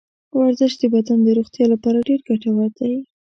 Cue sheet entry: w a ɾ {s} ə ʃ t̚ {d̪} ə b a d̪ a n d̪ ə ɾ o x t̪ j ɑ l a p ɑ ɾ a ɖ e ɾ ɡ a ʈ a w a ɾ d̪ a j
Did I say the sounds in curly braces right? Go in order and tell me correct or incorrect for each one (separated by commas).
incorrect, correct